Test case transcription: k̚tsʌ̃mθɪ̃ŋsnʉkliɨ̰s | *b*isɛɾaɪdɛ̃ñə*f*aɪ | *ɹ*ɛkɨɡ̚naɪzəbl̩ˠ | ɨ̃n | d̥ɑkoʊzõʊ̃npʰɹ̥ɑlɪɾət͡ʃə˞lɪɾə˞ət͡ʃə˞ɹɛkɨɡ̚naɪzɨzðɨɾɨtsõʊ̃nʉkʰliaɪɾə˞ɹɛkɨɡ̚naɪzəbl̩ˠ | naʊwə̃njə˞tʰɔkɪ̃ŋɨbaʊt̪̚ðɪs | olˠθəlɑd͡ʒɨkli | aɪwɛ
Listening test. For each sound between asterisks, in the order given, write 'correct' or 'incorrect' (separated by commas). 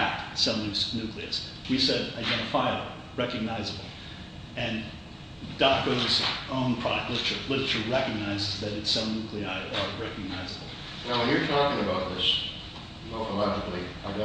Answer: incorrect, correct, correct